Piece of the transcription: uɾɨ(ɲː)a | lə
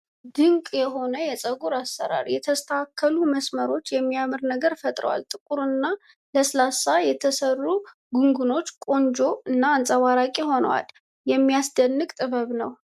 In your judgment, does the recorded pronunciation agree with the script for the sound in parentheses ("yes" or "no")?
no